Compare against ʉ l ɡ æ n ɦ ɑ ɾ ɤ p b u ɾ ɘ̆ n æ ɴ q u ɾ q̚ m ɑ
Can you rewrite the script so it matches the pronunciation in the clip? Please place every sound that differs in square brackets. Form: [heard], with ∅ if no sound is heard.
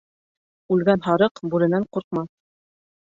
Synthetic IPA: ʉ l ɡ æ n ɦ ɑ ɾ ɤ [q] b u ɾ ɘ̆ n æ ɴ q u ɾ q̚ m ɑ